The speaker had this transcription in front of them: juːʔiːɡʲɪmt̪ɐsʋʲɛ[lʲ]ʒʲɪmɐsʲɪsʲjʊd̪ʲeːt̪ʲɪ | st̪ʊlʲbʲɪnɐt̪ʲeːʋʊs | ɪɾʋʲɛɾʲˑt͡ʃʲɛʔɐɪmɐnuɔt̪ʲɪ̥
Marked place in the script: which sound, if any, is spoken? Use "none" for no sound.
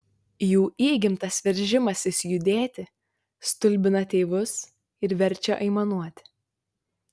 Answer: ɾʲ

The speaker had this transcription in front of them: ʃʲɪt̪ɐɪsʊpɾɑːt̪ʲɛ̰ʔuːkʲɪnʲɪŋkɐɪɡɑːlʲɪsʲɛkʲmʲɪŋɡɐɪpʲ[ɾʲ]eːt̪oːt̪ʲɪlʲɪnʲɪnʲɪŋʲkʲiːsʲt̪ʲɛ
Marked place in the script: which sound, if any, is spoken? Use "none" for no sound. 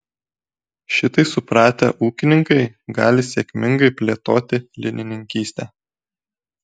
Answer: lʲ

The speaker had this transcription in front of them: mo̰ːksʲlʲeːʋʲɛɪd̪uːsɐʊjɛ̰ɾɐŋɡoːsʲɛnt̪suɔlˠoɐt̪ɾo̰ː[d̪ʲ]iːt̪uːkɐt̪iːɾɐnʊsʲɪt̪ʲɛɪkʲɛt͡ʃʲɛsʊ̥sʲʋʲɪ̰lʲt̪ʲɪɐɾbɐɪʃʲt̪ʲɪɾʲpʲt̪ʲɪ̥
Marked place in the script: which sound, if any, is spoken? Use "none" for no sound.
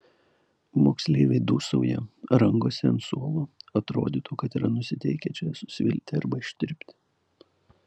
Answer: d̪ʲ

